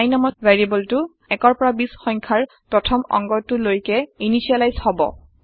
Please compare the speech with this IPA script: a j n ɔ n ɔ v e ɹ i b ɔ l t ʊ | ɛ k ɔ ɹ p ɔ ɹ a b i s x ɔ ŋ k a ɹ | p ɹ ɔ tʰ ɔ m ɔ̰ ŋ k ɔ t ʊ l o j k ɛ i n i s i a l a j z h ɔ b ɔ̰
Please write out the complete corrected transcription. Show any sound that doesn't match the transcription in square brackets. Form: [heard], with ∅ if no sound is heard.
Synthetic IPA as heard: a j n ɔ [m] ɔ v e ɹ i b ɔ l t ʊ | ɛ k ɔ ɹ p ɔ ɹ a b i s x ɔ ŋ [kʰ] a ɹ | p ɹ ɔ tʰ ɔ m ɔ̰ ŋ [ɡ] ɔ t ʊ l o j k ɛ i n i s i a l a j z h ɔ b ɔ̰